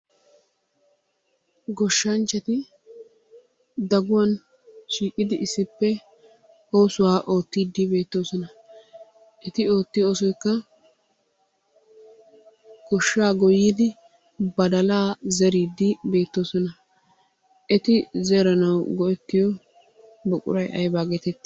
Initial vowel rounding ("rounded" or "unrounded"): rounded